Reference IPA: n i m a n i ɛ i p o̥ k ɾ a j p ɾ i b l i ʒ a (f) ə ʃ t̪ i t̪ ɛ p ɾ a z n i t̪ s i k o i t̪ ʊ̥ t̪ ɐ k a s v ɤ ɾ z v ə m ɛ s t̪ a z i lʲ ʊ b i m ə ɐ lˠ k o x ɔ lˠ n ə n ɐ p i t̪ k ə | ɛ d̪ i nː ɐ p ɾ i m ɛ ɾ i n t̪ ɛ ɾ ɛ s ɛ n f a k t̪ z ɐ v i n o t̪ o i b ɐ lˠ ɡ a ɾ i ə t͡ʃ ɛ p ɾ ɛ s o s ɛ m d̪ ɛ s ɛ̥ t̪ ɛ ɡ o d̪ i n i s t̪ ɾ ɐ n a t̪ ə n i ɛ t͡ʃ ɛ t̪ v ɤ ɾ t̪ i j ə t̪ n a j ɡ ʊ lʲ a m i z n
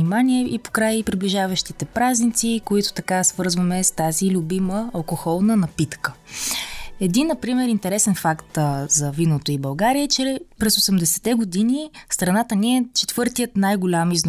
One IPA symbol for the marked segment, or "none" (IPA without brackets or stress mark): v